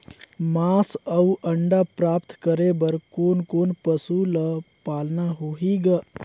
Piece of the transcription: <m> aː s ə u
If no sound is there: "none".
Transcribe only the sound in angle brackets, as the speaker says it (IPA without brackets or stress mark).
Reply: m